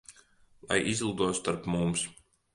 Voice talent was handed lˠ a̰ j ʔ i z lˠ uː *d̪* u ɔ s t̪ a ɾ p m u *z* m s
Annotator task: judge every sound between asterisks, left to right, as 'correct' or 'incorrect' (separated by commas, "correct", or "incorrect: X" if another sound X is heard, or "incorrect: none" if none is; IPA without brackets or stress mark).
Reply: correct, incorrect: none